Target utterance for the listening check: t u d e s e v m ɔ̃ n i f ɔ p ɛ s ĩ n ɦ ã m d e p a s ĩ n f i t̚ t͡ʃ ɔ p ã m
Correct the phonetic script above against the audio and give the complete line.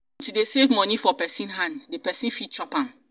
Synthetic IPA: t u d e s e v m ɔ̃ n i f ɔ p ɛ s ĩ n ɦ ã n d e p ɛ s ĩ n f i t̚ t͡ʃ ɔ p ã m